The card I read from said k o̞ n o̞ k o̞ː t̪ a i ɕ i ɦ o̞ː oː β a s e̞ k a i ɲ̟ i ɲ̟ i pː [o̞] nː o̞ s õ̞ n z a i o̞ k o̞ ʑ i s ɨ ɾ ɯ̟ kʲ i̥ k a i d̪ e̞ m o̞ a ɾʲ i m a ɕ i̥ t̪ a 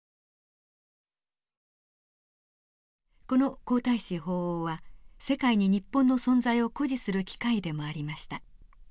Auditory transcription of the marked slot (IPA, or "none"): õ̞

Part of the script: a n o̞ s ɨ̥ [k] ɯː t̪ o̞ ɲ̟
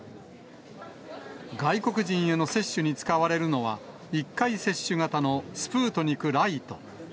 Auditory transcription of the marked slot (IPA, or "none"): p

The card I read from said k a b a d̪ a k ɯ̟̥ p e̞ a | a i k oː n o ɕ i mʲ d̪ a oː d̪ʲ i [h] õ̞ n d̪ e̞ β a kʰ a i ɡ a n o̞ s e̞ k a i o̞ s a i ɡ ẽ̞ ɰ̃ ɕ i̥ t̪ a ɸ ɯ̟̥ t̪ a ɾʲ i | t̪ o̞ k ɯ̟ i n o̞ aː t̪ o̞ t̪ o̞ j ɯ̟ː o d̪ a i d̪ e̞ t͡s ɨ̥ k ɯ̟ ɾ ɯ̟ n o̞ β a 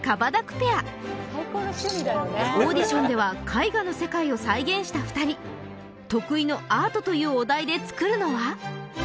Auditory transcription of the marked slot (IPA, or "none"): ɕ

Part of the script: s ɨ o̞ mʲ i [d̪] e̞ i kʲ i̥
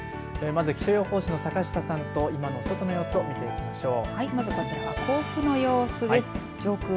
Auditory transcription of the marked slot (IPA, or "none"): t̪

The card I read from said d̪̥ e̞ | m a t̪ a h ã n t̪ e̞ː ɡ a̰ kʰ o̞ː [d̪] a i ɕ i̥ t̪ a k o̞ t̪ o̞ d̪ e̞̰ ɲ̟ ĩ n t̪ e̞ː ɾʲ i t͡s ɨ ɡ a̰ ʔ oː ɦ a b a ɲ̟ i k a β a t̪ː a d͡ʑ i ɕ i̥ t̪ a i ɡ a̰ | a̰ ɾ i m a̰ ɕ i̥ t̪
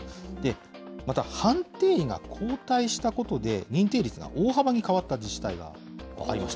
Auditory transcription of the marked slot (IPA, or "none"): t̪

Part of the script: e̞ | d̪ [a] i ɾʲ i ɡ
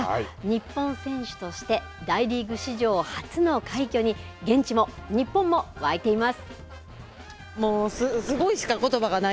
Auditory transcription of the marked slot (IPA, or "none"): a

